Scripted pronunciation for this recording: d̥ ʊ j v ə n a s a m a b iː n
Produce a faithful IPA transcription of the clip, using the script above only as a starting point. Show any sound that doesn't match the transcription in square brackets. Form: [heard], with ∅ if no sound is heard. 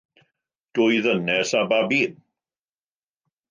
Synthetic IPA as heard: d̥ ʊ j [ð] ə n [ɛ] s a [b] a b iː n